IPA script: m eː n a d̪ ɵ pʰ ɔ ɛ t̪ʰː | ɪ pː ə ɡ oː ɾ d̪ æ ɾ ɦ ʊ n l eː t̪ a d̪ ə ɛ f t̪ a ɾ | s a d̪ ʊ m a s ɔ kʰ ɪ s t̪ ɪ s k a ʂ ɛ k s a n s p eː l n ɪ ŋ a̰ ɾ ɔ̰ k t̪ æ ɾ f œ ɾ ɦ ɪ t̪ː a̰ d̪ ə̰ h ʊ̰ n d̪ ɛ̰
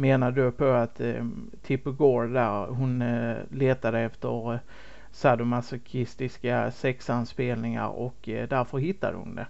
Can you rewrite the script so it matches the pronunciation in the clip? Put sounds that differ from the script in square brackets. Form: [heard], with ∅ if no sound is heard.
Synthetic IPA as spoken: m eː n a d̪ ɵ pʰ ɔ [a] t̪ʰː | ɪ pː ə ɡ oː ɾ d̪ æ ɾ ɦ ʊ n l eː t̪ a d̪ ə ɛ f t̪ [ə] ɾ | s a d̪ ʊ m a s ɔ kʰ ɪ s t̪ ɪ s k a [s] ɛ k s a n s p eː l n ɪ ŋ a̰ ɾ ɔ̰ k [d̪] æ ɾ f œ ɾ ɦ ɪ t̪ː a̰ d̪ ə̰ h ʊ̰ n d̪ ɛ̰